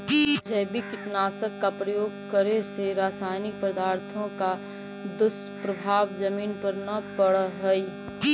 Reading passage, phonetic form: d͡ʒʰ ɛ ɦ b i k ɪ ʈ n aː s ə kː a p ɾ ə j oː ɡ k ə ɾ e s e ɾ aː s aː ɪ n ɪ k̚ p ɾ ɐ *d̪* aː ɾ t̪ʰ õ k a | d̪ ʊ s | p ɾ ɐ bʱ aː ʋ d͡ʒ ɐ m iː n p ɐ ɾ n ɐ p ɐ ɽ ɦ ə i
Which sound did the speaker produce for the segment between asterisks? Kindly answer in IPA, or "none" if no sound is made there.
d̪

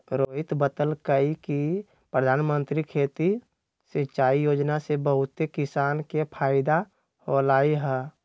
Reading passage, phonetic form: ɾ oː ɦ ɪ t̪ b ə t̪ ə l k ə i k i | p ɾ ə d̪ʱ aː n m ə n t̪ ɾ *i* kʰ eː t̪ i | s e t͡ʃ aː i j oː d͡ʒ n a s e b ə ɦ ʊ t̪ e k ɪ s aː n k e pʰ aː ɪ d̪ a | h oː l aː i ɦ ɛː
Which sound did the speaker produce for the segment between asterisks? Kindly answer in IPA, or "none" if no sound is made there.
i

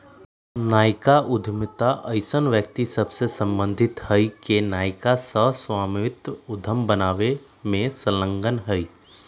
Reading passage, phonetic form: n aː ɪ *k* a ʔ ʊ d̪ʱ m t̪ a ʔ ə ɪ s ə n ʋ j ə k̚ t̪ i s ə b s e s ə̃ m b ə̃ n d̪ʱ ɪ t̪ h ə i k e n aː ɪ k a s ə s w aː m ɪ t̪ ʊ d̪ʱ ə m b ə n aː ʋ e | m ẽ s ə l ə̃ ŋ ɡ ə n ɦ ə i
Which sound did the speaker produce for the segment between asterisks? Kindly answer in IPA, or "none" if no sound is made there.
k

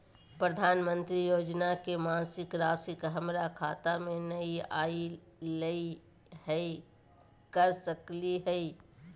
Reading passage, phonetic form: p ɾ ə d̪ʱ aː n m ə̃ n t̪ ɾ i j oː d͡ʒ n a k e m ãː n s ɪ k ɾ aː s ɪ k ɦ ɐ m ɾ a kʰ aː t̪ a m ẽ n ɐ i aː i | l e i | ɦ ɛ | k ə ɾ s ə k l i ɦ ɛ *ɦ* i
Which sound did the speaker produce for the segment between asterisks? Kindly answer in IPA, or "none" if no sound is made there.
none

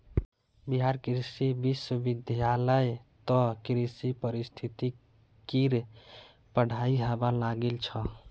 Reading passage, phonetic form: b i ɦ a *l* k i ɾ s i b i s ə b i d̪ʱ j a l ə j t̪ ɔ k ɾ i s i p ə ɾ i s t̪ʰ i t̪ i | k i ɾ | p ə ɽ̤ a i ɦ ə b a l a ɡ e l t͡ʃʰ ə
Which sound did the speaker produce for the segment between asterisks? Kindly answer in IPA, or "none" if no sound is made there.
ɾ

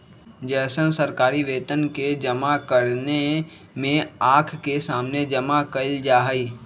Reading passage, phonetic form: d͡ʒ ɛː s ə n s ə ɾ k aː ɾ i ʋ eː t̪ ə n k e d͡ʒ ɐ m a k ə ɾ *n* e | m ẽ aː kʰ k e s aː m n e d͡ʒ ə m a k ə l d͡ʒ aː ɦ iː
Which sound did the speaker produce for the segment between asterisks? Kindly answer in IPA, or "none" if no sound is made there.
n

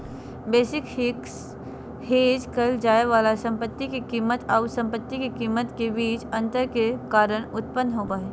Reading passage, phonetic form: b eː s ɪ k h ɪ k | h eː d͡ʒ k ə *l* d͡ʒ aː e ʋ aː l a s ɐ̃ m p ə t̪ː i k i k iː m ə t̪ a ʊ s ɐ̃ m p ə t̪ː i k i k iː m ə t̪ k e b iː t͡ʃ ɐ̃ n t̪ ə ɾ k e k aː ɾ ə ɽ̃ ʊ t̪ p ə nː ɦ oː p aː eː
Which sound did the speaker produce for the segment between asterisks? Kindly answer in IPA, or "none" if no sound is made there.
l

